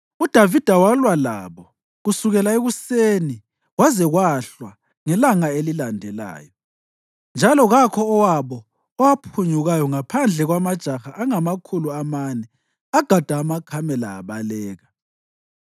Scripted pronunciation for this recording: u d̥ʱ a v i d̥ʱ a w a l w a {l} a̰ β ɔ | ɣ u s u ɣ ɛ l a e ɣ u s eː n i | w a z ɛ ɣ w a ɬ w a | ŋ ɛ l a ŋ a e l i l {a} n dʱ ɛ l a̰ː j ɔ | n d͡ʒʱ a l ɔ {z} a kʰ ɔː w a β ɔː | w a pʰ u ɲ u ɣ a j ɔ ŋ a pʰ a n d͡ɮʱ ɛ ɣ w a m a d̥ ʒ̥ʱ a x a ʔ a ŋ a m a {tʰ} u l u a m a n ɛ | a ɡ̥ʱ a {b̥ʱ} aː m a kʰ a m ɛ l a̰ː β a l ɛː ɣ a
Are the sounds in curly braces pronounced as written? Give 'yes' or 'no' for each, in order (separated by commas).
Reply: yes, yes, no, no, no